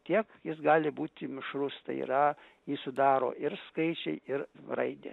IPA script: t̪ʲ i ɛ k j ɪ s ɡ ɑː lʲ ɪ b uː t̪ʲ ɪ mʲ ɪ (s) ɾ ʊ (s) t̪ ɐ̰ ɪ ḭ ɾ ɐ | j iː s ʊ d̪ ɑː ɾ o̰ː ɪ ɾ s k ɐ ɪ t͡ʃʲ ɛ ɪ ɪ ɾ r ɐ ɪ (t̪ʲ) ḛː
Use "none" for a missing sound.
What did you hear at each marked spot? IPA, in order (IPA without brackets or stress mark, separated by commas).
ʃ, s, d̪ʲ